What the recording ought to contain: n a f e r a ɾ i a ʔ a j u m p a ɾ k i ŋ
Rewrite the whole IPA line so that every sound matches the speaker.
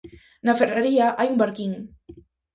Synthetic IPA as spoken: n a f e r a ɾ i a ʔ a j u m b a ɾ k i ŋ